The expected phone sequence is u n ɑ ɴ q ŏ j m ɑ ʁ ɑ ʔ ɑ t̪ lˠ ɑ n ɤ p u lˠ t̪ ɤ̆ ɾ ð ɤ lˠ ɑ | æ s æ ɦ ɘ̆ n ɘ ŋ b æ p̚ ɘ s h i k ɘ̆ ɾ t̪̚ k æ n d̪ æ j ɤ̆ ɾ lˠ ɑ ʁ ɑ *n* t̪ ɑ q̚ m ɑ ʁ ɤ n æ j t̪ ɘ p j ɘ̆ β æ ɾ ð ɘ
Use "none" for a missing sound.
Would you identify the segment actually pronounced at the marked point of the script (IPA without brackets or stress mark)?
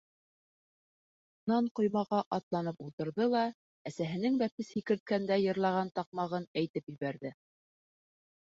n